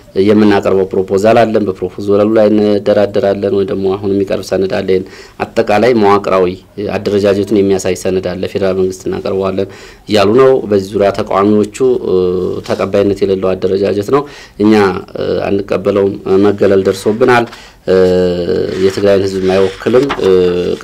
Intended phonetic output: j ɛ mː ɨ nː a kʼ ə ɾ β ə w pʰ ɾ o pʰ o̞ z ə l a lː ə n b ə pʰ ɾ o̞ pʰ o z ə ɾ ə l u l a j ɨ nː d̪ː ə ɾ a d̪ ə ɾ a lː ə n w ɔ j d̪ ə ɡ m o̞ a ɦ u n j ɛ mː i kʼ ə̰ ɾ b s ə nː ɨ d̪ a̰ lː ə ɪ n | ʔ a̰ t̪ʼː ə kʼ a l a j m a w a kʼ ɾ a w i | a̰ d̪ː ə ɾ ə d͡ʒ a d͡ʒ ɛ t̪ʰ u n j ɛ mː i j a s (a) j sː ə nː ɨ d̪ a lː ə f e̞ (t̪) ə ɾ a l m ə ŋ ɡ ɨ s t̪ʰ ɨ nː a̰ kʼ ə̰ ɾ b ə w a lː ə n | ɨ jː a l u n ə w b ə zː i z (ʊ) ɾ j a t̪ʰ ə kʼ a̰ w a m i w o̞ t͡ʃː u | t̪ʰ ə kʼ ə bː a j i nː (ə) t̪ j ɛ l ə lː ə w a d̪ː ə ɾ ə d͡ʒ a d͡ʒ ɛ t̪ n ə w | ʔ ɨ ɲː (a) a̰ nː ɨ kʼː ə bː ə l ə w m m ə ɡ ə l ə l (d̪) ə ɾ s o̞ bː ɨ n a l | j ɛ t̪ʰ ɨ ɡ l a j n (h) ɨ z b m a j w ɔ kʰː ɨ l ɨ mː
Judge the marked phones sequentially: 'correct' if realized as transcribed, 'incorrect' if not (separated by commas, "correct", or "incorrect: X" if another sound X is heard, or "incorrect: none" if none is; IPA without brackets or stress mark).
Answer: correct, incorrect: d̪, incorrect: u, correct, correct, correct, correct